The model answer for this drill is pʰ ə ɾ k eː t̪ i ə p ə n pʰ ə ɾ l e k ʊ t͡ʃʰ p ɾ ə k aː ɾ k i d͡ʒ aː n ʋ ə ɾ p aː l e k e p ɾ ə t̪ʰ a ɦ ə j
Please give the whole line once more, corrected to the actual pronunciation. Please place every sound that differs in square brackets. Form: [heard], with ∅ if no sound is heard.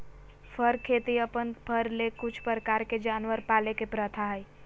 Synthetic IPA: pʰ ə ɾ [kʰ] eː t̪ i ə p ə n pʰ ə ɾ l e k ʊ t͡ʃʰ p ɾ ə k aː ɾ k [e] d͡ʒ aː n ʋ ə ɾ p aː l e k e p ɾ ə t̪ʰ a ɦ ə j

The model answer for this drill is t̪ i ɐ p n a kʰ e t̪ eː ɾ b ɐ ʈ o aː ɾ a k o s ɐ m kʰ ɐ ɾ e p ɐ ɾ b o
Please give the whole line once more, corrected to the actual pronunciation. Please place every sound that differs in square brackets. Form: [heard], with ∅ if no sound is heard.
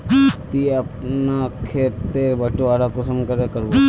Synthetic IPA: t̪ i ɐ p n a kʰ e t̪ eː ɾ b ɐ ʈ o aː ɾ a k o s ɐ m [k] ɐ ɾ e [k] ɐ ɾ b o

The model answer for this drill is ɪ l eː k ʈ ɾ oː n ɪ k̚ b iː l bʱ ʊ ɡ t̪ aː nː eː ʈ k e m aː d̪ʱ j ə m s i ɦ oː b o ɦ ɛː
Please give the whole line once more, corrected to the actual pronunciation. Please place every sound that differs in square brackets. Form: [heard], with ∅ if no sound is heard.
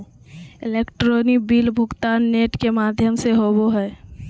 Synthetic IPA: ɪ l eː k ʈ ɾ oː n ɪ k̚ b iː l bʱ ʊ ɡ t̪ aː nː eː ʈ k e m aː d̪ʱ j ə m s [e] ɦ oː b o ɦ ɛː

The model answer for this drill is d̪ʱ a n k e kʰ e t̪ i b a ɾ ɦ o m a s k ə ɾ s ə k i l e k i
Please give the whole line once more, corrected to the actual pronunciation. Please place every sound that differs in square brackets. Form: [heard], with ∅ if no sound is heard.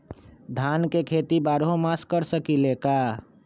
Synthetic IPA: d̪ʱ a n k e kʰ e t̪ i b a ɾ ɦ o m a s k ə ɾ s ə k i l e k [a]

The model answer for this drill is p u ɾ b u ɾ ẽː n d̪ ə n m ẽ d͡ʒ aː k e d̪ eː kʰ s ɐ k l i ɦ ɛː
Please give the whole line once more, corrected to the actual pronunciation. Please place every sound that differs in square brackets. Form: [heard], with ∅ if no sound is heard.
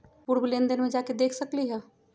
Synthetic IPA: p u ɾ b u [l] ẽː n d̪ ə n m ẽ d͡ʒ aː k e d̪ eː kʰ s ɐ k l i ɦ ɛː

